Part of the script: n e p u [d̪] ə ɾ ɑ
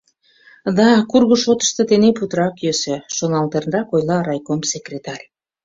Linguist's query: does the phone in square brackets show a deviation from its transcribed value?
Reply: yes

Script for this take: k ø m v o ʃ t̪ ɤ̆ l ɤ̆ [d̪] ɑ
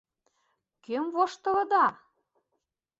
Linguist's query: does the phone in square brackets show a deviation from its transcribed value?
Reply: no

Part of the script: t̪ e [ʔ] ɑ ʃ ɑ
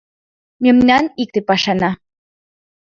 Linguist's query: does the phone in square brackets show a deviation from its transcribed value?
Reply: yes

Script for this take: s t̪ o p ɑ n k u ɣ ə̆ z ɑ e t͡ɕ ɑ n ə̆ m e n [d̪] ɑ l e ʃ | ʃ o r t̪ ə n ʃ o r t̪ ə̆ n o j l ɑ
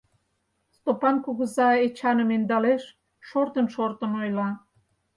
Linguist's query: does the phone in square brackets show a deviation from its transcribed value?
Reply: no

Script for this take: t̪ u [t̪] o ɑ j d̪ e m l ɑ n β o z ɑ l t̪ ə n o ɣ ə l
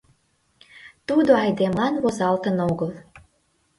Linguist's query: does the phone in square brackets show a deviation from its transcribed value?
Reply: yes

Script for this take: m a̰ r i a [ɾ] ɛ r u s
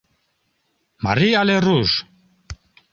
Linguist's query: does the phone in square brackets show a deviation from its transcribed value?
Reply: yes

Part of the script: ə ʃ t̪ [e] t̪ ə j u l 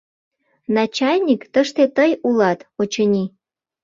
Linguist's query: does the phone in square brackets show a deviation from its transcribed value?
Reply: no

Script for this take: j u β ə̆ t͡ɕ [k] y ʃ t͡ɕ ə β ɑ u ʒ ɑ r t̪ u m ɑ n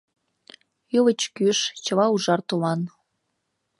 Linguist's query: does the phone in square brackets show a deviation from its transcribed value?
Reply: no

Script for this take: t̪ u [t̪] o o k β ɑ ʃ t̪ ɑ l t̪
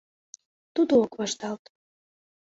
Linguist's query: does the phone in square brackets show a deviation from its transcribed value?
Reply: yes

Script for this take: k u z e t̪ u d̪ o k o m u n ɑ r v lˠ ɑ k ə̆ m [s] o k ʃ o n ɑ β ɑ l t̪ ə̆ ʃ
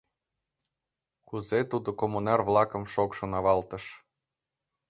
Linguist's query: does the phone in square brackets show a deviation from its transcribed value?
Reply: yes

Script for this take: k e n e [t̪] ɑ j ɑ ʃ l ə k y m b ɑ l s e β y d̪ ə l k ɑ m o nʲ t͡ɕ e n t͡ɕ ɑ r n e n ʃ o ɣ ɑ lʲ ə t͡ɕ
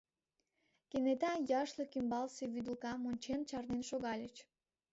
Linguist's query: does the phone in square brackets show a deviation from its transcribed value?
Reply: no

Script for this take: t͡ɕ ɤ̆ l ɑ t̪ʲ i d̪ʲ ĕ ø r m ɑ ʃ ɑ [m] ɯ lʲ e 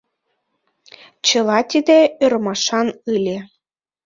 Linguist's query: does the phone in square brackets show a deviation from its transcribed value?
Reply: yes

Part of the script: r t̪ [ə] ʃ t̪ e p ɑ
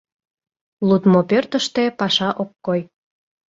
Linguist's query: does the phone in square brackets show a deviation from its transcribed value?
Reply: no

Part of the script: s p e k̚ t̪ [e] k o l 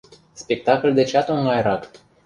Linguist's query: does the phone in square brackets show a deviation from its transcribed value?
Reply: yes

